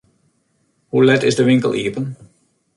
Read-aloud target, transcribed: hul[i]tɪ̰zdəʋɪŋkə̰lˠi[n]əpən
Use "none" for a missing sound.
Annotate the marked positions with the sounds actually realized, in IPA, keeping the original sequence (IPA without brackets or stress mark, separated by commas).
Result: ɛ, none